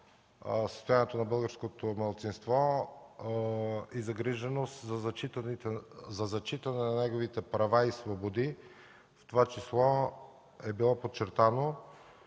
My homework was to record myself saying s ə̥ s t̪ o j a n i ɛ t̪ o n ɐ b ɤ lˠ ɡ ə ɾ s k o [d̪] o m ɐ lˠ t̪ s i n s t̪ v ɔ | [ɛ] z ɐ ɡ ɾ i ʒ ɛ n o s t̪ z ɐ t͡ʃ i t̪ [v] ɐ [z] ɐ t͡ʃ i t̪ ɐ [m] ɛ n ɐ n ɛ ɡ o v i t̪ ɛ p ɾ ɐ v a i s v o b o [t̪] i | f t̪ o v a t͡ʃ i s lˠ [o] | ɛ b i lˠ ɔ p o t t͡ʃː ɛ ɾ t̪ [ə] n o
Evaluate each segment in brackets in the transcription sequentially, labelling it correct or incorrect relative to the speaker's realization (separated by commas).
incorrect, incorrect, incorrect, correct, incorrect, incorrect, incorrect, incorrect